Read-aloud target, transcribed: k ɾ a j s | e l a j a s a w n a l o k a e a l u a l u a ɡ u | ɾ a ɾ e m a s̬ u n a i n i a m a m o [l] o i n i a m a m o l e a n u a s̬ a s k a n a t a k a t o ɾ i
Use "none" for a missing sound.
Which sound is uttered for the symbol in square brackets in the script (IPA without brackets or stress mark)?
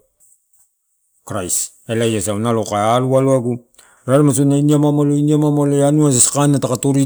l